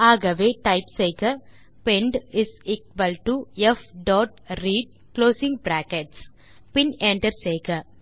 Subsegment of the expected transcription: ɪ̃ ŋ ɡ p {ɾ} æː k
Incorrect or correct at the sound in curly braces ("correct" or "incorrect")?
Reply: correct